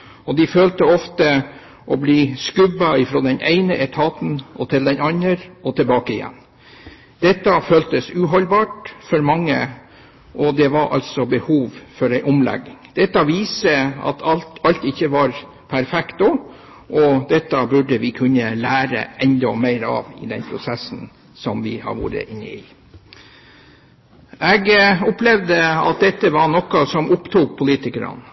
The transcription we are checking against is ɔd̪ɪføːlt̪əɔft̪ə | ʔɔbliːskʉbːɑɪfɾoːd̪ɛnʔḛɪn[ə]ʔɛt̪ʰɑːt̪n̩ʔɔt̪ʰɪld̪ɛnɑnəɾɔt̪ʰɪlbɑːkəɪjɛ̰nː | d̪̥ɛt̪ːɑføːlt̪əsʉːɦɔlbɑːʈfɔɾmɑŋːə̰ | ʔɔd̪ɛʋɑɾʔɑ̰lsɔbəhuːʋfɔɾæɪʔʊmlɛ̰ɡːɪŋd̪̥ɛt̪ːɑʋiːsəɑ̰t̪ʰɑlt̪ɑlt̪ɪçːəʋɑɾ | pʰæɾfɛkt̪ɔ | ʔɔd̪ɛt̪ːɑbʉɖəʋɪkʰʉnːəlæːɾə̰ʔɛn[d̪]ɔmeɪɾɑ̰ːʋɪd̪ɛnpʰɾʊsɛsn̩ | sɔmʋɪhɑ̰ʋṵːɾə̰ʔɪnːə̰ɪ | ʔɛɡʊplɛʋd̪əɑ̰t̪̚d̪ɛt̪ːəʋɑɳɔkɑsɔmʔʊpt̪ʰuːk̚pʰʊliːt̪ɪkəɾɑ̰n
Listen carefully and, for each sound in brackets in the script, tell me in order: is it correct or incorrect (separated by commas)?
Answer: correct, correct